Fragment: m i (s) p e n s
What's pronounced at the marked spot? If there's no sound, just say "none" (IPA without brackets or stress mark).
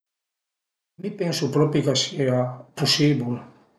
none